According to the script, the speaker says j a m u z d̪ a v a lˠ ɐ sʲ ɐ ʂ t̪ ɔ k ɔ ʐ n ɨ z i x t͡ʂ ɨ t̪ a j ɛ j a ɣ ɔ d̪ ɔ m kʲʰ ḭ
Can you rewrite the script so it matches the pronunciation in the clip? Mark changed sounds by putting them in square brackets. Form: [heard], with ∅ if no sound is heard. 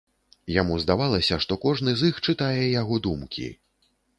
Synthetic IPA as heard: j a m u z d̪ a v a lˠ ɐ sʲ ɐ ʂ t̪ ɔ k ɔ ʐ n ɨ z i x t͡ʂ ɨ t̪ a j ɛ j a ɣ ɔ d̪ [u] m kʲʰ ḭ